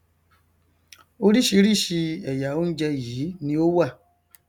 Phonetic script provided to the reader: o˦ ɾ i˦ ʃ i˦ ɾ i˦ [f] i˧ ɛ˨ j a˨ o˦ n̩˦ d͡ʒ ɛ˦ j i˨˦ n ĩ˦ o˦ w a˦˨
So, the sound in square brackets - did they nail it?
no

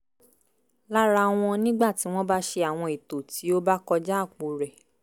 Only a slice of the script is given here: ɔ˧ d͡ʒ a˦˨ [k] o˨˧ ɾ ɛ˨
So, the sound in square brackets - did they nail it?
no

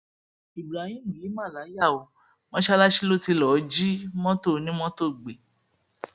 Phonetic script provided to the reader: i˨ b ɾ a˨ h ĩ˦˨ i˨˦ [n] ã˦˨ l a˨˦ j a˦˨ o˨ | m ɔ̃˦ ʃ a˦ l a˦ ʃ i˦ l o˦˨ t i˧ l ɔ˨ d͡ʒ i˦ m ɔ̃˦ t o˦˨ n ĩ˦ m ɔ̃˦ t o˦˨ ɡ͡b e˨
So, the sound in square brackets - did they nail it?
no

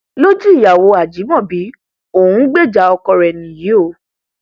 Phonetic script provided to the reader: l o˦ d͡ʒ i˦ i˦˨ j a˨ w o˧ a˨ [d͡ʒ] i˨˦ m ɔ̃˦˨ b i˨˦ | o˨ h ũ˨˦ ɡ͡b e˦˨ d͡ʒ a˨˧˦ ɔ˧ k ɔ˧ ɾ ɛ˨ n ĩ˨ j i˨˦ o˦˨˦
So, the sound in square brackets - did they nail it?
yes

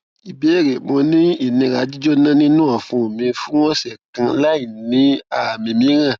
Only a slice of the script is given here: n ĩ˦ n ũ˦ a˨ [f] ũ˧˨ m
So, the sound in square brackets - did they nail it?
yes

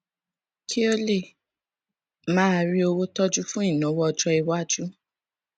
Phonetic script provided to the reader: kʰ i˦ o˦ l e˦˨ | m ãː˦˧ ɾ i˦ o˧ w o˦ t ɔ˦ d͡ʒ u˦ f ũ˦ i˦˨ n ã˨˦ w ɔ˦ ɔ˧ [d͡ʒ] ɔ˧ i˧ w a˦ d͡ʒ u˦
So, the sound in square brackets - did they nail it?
yes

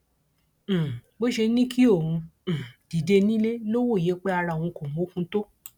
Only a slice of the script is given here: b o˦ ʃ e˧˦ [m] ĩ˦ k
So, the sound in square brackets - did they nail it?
no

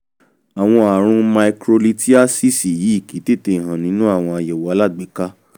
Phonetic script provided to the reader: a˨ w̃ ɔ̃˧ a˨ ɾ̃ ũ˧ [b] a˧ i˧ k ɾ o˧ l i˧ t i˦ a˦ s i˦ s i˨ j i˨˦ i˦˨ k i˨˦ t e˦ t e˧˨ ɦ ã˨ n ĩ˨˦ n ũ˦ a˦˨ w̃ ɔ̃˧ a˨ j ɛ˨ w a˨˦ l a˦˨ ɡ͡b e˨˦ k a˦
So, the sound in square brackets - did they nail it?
no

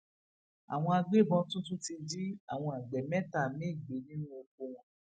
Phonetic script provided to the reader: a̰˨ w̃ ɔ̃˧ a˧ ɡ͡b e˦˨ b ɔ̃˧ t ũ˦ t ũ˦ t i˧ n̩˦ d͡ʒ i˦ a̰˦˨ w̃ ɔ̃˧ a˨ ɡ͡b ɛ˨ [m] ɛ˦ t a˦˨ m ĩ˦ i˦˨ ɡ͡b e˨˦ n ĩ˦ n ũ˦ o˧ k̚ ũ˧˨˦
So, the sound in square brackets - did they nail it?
yes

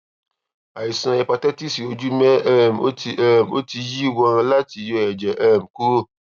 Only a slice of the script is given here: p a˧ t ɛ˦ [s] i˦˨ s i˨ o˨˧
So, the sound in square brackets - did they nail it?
no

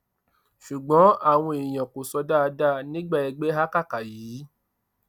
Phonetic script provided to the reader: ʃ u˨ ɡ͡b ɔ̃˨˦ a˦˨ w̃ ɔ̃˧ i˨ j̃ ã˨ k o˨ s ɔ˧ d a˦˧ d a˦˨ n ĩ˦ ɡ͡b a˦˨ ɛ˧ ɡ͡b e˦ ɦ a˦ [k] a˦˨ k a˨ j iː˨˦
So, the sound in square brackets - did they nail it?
yes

